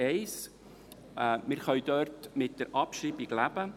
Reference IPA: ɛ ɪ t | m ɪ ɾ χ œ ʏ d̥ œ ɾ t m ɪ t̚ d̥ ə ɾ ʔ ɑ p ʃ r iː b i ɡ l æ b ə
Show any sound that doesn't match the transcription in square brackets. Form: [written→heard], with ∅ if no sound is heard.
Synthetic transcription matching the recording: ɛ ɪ [t→s] | m ɪ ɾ χ œ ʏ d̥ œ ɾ t m ɪ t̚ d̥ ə ɾ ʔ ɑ p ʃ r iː b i ɡ l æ b ə